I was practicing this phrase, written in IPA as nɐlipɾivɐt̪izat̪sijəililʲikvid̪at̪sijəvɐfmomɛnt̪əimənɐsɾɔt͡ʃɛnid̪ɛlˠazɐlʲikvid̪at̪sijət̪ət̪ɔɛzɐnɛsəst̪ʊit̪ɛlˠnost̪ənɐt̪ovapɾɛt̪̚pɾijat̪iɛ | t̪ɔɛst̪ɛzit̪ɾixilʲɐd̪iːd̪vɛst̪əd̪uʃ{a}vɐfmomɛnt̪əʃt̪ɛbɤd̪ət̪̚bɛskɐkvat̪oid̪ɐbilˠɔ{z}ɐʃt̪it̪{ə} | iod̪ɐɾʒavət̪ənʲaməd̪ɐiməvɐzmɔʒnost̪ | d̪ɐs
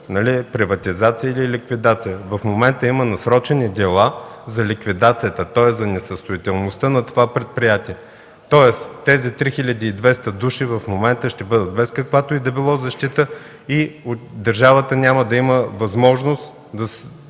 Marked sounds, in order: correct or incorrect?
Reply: incorrect, correct, correct

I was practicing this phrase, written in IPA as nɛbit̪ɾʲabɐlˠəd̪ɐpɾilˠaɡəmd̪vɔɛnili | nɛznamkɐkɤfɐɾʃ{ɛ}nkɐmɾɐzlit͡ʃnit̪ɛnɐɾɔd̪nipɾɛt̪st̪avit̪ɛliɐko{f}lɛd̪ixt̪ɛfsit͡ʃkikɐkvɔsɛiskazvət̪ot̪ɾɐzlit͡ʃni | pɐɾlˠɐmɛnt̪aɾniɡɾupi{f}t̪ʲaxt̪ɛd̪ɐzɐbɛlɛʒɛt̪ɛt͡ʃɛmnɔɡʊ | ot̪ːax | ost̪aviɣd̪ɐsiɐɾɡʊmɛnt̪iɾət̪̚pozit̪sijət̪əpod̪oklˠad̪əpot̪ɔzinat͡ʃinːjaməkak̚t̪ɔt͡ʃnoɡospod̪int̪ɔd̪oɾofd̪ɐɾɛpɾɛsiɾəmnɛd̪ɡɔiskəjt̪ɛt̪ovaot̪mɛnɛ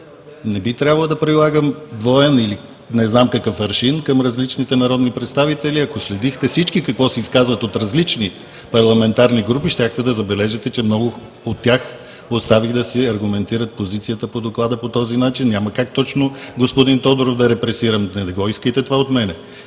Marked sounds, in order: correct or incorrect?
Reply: incorrect, incorrect, incorrect

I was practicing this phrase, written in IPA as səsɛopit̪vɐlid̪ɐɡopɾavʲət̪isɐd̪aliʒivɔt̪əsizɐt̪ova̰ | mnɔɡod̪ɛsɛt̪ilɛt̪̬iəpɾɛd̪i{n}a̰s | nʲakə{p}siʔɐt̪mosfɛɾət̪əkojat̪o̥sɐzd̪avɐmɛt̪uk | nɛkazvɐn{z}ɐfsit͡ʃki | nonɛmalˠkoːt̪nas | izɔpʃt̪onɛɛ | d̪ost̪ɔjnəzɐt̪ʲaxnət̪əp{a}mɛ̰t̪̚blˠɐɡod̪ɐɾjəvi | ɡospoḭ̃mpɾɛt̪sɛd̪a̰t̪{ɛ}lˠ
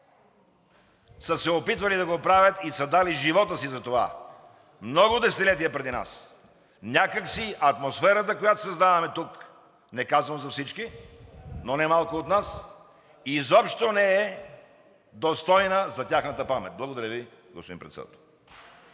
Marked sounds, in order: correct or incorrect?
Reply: correct, incorrect, correct, correct, correct

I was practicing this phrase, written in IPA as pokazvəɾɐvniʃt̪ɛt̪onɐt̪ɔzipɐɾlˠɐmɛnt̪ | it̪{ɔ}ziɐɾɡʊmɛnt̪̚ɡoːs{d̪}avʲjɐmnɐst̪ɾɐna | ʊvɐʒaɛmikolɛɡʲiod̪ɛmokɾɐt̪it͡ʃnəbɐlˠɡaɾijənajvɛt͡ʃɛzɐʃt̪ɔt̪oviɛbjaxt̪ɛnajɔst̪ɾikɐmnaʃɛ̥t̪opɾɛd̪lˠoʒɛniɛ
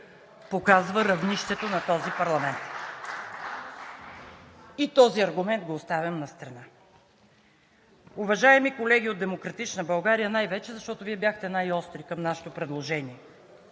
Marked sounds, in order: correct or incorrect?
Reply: correct, incorrect

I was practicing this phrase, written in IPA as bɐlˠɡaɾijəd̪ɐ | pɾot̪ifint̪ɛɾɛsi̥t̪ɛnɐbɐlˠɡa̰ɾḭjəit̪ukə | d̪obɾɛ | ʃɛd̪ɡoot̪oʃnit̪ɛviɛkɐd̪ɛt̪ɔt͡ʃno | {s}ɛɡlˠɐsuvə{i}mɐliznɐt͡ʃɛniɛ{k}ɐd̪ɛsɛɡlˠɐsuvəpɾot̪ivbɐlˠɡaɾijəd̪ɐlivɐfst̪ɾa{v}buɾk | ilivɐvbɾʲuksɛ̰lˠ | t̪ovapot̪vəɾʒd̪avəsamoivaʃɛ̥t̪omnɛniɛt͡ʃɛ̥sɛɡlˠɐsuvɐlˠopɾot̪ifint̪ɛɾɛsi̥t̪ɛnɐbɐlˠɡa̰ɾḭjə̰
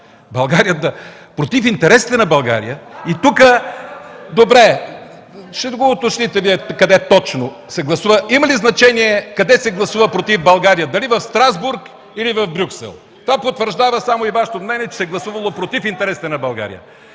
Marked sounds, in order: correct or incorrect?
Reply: correct, correct, correct, incorrect

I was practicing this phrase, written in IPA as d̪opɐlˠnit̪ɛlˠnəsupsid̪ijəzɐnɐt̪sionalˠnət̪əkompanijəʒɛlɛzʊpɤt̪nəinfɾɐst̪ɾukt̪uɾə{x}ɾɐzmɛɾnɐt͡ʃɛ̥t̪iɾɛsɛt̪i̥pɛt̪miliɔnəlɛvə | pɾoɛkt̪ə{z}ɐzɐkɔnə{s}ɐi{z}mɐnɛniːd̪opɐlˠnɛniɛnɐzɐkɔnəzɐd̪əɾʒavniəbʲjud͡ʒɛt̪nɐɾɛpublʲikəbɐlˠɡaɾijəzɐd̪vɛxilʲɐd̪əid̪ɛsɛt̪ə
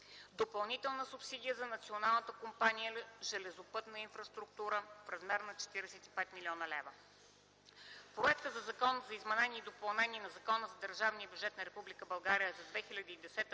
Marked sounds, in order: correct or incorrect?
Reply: incorrect, correct, incorrect, correct

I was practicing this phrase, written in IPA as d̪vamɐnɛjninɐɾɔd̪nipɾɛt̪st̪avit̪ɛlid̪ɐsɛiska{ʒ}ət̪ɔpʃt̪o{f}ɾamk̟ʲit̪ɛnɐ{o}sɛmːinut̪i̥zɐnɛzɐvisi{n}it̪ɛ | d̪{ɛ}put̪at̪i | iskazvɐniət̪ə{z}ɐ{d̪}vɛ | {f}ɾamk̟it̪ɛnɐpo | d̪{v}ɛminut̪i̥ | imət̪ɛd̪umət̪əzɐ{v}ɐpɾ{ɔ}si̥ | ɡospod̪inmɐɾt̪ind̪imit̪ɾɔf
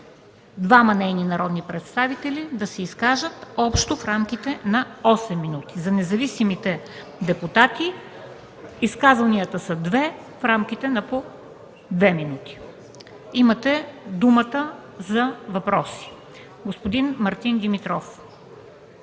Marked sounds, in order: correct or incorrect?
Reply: correct, correct, incorrect, incorrect, correct, incorrect, correct, correct, correct, correct, correct

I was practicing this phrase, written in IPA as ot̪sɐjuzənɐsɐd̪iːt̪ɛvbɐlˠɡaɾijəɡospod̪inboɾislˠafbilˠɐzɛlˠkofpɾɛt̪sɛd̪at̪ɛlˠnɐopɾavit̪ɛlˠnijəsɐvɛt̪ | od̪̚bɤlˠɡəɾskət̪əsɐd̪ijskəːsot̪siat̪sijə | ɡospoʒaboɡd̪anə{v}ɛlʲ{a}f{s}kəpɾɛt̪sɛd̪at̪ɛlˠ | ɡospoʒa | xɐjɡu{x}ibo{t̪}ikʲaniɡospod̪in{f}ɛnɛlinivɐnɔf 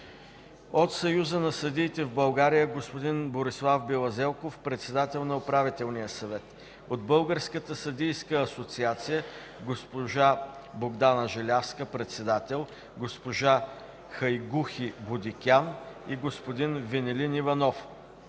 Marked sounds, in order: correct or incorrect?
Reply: incorrect, correct, correct, correct, incorrect, incorrect

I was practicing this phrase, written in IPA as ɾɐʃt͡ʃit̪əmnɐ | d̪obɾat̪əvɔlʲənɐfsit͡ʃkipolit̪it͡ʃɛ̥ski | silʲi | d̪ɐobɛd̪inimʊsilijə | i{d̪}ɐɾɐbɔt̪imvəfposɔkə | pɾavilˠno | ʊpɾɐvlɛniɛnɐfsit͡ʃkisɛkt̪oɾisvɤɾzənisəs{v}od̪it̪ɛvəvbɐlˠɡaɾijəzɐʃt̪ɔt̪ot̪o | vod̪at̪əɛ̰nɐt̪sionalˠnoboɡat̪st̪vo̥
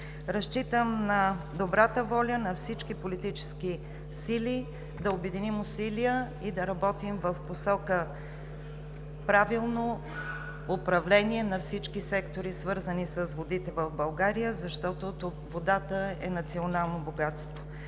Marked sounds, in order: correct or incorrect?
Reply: correct, correct

